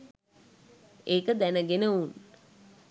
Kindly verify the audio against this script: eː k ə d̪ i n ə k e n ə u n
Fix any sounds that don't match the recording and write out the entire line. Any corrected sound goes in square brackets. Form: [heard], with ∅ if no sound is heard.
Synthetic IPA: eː k ə d̪ [æ] n ə [ɡ] e n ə u n